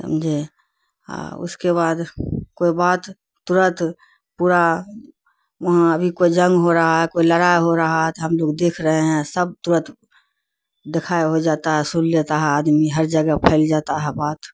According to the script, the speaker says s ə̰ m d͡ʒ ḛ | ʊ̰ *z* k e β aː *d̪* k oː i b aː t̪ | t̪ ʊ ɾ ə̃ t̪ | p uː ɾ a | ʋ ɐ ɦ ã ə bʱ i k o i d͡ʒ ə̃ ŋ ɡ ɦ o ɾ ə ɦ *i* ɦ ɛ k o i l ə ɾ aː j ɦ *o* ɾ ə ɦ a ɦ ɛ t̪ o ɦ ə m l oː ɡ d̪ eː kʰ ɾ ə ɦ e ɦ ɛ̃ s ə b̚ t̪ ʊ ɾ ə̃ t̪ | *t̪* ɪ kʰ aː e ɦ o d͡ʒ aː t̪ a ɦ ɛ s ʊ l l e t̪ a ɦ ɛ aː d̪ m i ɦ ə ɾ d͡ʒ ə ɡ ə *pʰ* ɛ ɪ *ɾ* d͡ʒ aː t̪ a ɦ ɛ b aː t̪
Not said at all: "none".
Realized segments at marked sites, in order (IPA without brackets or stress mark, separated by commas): s, d̪, a, o, d̪, pʰ, l